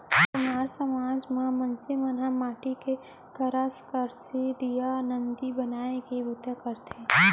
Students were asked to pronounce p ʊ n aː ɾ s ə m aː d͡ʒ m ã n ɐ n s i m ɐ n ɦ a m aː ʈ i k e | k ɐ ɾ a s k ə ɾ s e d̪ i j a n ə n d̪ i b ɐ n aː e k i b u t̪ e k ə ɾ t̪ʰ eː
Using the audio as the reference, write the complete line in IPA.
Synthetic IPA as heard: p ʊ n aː ɾ s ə m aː d͡ʒ m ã m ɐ n s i m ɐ n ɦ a m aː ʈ i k e | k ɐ ɾ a s k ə ɾ s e d̪ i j a n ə n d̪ i b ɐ n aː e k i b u t̪ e k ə ɾ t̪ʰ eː